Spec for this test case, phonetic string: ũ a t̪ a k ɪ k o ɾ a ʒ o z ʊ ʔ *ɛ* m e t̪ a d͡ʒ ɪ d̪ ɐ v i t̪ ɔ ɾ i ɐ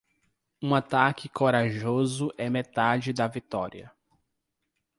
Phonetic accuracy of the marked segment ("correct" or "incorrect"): correct